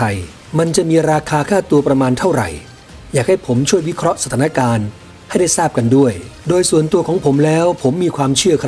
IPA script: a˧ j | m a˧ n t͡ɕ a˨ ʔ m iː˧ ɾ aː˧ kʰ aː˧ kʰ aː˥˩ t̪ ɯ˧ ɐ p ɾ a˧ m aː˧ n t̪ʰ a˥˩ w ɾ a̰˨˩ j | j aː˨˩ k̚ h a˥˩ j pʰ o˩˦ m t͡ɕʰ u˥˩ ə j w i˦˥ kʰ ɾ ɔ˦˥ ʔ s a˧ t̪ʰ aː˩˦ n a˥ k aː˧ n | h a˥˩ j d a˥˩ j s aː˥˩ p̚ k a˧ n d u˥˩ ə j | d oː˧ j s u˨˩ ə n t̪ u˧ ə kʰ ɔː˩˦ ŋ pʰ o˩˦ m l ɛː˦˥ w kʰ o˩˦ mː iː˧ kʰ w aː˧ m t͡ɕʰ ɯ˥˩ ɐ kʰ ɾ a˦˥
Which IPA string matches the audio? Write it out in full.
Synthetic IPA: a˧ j | m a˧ n t͡ɕ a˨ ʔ m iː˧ ɾ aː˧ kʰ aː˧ kʰ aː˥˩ t̪ u˧ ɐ p ɾ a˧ m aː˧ n t̪ʰ a˥˩ w ɾ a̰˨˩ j | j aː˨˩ k̚ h a˥˩ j pʰ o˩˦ m t͡ɕʰ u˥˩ ə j w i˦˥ kʰ ɾ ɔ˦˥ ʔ s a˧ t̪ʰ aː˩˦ n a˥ k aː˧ n | h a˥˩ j d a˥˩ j s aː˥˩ p̚ k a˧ n d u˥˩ ə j | d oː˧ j s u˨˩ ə n t̪ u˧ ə kʰ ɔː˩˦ ŋ pʰ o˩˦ m l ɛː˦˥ w pʰ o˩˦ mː iː˧ kʰ w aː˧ m t͡ɕʰ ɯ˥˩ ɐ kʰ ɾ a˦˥